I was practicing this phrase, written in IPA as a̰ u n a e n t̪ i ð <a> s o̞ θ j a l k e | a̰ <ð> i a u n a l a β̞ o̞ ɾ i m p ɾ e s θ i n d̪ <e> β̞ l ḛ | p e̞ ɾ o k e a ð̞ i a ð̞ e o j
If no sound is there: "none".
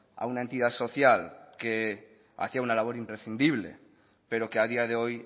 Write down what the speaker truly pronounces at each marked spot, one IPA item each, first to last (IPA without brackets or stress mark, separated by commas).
a, θ, i